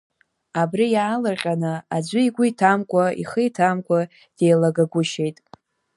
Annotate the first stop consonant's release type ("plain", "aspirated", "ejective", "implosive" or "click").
plain